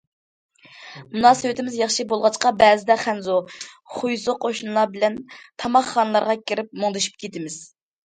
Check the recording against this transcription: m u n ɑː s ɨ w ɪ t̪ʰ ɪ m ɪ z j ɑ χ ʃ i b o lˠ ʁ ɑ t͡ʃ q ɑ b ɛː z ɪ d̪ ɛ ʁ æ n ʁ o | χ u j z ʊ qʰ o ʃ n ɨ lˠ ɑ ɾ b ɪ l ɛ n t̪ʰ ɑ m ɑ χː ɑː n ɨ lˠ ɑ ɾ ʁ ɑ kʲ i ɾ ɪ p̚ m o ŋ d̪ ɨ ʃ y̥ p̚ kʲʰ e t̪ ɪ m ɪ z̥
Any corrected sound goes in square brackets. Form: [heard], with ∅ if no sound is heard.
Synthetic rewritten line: m u n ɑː s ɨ w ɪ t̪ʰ ɪ m ɪ z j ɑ χ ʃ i b o lˠ ʁ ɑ t͡ʃ q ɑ b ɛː z ɪ d̪ ɛ [χ] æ n [z] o | χ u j z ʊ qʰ o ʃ n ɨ lˠ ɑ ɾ b ɪ l ɛ n t̪ʰ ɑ m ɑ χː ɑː n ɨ lˠ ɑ ɾ ʁ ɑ kʲ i ɾ ɪ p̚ m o ŋ d̪ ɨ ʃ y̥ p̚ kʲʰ e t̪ ɪ m ɪ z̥